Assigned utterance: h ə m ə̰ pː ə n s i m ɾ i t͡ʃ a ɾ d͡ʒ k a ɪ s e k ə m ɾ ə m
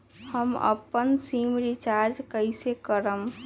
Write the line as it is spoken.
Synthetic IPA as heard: h ə m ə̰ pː ə n s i m ɾ i t͡ʃ a ɾ d͡ʒ k ə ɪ s e k ə ɾ ə m

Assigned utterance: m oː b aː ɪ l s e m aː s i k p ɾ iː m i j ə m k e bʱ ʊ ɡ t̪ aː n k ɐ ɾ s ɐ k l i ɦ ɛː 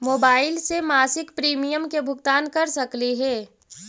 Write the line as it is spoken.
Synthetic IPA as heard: m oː b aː ɪ l s e m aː s ɪ k p ɾ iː m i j ə m k e bʱ ʊ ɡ t̪ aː n k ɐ ɾ s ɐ k l i ɦ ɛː

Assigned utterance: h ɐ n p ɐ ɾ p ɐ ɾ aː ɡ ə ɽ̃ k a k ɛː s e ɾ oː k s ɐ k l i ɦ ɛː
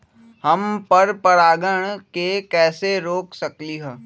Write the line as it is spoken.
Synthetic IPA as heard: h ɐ m p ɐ ɾ p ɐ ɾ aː ɡ ə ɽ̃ k e k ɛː s e ɾ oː k s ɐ k l i ɦ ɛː

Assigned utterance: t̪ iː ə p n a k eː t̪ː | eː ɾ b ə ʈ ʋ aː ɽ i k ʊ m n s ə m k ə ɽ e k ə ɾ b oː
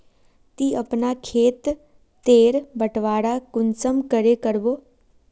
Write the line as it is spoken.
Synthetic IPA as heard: t̪ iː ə p n a kʰ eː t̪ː | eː ɾ b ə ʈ ʋ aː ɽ a k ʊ n s ə m k ə ɾ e k ə ɾ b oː

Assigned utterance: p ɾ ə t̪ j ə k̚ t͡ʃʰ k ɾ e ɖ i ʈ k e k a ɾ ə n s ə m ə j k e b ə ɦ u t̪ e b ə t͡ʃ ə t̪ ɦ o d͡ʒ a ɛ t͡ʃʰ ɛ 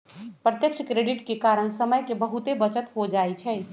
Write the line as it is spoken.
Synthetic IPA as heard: p ɾ ə t̪ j ə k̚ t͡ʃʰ k ɾ e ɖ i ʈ k e k a ɾ ə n s ə m ə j k e b ə ɦ u t̪ e b ə t͡ʃ ə t̪ ɦ o d͡ʒ a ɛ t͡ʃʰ ɛ

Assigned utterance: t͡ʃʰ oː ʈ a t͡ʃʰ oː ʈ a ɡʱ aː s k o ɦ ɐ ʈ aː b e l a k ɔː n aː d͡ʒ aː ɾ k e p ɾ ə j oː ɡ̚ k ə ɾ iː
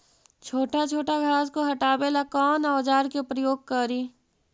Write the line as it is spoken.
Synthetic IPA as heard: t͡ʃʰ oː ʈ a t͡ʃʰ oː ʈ a ɡʱ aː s k o ɦ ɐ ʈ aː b e l a k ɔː n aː d͡ʒ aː ɾ k e p ɾ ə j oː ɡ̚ k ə ɾ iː

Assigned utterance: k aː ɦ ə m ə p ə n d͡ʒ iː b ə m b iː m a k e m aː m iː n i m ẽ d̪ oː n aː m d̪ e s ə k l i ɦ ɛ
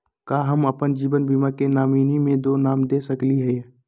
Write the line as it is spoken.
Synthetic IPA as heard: k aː ɦ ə m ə p ə n d͡ʒ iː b ə n b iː m a k e n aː m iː n i m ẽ d̪ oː n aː m d̪ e s ə k l i ɦ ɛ

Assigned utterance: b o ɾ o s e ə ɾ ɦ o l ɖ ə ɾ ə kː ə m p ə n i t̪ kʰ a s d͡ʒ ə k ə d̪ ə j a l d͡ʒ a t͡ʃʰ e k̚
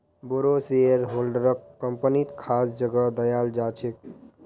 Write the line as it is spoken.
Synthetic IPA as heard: b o ɾ o s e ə ɾ ɦ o l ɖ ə ɾ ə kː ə m p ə n i t̪ kʰ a s d͡ʒ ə ɡ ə d̪ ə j a l d͡ʒ a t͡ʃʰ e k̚

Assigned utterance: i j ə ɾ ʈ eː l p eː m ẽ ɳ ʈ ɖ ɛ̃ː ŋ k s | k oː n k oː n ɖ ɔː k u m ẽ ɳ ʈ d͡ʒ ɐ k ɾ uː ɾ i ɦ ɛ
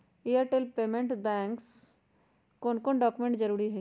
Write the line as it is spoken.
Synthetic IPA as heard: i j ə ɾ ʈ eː l p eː m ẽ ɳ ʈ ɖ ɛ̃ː ŋ k s | k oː n k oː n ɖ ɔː k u m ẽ ɳ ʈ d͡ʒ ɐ ɾ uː ɾ i ɦ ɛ

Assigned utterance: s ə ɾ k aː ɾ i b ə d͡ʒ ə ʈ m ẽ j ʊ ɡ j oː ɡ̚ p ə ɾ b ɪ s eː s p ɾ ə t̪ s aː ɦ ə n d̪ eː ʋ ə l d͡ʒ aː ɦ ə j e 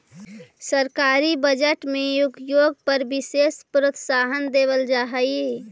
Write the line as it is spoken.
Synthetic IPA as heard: s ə ɾ k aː ɾ i b ə d͡ʒ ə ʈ m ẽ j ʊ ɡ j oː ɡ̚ p ə ɾ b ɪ s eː s p ɾ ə t̪ s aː ɦ ə n d̪ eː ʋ ə l d͡ʒ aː ɦ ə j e

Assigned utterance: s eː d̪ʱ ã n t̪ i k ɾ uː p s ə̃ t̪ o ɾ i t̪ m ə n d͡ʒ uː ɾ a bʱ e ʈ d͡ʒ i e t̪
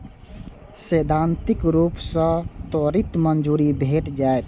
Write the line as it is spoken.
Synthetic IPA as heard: s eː d̪ʱ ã n t̪ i k ɾ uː p s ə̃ t̪ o ɾ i t̪ m ə n d͡ʒ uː ɾ i bʱ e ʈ d͡ʒ a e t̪

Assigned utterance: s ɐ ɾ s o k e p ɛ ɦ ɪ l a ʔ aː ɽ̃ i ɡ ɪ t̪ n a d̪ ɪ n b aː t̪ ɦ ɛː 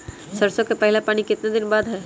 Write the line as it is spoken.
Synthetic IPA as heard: s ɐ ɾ s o k e p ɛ ɦ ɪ l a p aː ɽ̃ i k ɪ t̪ n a d̪ ɪ n b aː d̪ ɦ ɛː

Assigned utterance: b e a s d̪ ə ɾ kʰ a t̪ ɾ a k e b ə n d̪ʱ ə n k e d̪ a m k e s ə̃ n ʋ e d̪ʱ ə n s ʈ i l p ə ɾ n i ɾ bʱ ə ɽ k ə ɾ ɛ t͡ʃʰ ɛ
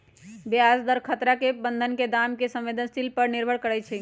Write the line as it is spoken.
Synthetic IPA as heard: b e a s d̪ ə ɾ kʰ ə t̪ ɾ a k e b ə n d̪ʱ ə n k e d̪ a m k e s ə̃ m ʋ e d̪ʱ ə n s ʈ i l p ə ɾ n i ɾ bʱ ə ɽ k ə ɾ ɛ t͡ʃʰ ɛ

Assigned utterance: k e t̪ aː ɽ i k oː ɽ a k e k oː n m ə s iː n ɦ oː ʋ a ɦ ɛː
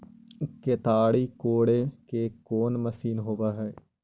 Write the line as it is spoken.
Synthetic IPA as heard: k e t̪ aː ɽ i k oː ɽ e k e k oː n m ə s iː n ɦ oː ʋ a ɦ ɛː

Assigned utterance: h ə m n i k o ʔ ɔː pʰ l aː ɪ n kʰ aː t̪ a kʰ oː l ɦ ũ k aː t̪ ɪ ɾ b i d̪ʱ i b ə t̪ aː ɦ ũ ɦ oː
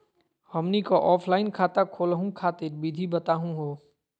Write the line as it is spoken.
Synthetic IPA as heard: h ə m n i k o ʔ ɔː pʰ l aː ɪ n kʰ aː t̪ a kʰ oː l ɦ ũ kʰ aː t̪ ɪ ɾ b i d̪ʱ i b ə t̪ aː ɦ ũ ɦ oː

